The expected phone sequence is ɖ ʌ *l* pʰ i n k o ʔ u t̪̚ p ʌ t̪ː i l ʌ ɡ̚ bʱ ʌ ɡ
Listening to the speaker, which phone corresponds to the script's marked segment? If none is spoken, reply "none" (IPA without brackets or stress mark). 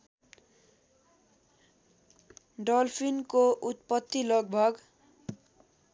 l